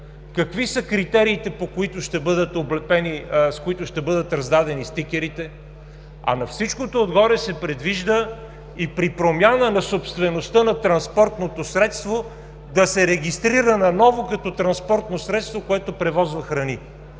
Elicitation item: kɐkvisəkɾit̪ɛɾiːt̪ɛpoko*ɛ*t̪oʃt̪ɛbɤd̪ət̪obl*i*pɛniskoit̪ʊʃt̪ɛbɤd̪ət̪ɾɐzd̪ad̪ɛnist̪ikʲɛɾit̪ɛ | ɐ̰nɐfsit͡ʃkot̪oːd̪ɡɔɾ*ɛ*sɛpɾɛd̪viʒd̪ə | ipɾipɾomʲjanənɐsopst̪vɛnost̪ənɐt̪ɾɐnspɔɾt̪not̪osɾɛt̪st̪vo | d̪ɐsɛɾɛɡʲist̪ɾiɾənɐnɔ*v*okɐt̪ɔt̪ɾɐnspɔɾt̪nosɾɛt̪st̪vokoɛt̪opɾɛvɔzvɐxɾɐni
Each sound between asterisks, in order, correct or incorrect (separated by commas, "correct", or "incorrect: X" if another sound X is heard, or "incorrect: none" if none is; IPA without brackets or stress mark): incorrect: i, incorrect: ɛ, correct, correct